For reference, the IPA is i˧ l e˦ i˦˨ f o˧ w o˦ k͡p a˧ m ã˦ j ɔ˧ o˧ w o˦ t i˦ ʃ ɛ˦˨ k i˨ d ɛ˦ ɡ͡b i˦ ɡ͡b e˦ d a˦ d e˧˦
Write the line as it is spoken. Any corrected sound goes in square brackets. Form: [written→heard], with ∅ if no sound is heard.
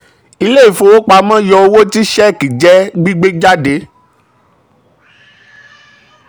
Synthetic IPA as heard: i˧ l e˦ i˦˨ f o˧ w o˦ k͡p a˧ m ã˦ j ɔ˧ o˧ w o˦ t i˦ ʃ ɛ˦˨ k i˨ [d→d͡ʒ] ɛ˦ ɡ͡b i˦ ɡ͡b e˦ [d→d͡ʒ] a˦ d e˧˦